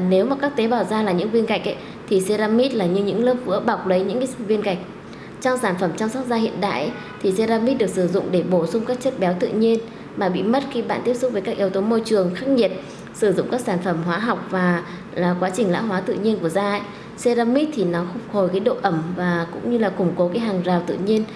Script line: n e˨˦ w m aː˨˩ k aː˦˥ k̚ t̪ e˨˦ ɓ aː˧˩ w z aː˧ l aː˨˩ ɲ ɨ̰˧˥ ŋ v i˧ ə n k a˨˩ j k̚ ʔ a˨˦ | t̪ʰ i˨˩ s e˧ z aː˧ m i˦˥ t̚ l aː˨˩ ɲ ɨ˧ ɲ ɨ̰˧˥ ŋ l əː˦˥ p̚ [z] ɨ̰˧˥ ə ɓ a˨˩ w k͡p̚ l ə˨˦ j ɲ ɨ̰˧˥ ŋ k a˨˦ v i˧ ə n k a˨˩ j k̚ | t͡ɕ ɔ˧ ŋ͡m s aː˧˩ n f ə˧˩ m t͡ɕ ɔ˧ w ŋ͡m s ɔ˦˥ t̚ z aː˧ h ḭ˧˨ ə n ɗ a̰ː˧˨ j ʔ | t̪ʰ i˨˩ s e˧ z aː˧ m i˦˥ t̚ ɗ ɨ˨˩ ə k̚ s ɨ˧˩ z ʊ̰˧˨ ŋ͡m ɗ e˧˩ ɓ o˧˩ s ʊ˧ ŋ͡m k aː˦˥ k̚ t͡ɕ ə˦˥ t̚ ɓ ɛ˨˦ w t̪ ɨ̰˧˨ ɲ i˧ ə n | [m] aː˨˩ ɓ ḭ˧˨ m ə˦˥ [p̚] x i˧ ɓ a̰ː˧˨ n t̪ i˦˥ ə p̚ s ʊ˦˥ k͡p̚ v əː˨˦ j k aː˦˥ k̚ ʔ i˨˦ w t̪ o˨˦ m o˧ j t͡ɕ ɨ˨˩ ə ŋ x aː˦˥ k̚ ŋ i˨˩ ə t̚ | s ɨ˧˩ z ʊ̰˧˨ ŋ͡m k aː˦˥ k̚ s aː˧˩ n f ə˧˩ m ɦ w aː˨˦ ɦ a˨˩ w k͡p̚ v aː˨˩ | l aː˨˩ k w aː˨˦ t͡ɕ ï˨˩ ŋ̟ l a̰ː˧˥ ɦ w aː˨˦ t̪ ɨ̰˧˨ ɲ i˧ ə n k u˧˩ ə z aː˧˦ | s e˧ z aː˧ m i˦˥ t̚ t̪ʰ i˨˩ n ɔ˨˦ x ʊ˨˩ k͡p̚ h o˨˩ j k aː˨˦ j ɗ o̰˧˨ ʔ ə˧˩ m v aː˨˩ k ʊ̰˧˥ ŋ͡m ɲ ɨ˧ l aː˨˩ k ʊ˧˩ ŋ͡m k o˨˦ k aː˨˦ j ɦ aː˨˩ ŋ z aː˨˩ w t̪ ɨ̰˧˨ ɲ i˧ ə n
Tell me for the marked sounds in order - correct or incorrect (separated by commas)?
incorrect, correct, incorrect